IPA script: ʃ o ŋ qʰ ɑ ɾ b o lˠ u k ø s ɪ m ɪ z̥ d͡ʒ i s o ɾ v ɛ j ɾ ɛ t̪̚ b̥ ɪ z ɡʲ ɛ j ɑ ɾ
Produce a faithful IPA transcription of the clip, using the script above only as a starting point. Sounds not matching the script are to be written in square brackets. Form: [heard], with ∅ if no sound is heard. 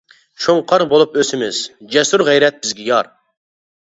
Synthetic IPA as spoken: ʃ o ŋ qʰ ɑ ɾ b o lˠ u [p] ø s ɪ m ɪ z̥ d͡ʒ [ɛ] s [u] ɾ [ʁ] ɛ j ɾ ɛ t̪̚ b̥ ɪ z ɡʲ ɛ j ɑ ɾ